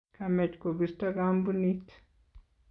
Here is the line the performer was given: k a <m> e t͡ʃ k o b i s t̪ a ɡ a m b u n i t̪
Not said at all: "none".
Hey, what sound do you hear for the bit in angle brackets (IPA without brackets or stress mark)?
m